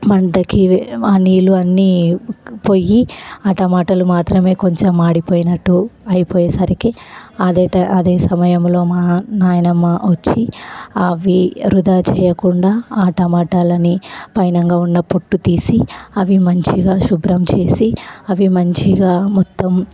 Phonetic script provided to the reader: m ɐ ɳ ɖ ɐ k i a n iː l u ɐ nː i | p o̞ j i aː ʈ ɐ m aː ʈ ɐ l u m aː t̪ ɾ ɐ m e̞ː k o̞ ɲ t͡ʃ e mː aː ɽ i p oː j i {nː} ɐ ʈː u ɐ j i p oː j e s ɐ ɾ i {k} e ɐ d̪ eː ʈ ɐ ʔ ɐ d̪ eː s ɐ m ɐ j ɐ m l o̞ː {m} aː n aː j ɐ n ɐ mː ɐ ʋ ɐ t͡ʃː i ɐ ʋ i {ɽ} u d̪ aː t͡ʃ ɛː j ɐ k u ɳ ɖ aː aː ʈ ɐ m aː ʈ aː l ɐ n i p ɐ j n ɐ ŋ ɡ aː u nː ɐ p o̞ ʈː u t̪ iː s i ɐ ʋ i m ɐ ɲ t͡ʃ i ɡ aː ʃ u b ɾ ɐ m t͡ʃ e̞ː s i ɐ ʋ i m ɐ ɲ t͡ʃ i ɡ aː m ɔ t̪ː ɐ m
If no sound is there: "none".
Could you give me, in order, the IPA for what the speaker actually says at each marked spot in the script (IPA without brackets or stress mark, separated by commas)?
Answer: n, k, m, ɾ